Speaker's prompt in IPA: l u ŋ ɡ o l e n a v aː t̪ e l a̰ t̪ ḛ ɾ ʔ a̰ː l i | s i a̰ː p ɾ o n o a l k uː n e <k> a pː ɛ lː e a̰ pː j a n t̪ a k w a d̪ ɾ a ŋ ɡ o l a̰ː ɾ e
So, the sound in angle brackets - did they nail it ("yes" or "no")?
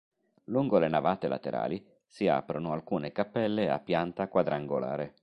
yes